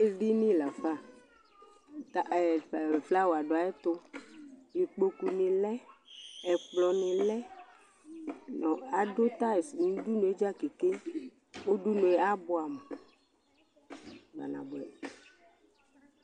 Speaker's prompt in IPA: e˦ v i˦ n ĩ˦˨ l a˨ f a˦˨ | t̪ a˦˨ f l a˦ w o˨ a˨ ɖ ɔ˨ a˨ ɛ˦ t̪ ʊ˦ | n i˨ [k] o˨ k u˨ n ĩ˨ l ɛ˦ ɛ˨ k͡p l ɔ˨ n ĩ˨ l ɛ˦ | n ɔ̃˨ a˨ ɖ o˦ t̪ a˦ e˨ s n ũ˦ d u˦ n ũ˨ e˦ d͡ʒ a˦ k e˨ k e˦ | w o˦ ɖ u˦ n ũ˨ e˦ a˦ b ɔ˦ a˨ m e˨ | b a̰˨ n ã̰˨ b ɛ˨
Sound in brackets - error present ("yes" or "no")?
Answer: yes